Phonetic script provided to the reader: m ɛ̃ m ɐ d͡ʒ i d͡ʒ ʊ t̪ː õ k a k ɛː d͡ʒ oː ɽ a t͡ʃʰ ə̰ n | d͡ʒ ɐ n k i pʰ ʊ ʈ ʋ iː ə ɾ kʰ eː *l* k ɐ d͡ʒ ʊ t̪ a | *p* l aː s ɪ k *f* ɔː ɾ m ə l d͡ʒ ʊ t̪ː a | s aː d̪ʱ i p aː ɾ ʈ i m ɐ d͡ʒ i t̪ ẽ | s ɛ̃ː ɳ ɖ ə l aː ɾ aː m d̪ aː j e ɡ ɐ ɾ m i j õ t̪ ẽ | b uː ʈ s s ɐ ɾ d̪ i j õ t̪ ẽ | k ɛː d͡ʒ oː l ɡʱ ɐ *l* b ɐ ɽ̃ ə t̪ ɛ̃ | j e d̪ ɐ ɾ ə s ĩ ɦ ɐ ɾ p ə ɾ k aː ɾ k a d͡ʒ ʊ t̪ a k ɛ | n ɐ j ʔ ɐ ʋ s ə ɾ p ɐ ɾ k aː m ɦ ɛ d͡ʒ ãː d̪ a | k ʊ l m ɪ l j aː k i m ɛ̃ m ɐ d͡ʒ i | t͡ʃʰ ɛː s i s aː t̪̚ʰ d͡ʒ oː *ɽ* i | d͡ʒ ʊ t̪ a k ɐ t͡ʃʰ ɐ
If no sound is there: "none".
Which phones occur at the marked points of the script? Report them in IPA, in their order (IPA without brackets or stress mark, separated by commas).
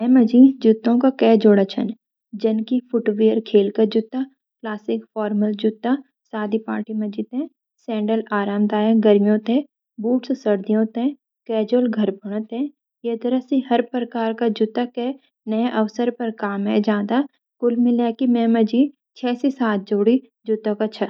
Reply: l, k, f, ɾ, ɽ